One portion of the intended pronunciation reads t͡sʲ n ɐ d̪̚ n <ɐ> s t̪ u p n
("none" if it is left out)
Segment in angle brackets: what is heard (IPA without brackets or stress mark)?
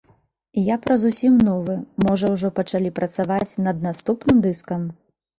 a